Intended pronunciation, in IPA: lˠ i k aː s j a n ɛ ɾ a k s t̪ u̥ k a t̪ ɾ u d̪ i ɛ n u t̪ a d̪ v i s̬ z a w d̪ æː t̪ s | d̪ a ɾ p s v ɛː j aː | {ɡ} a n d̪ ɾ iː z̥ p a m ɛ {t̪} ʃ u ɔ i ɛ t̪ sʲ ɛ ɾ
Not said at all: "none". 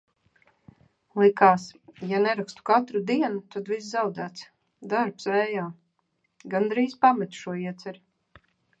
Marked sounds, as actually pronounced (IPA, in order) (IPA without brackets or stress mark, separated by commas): ɡ, t̪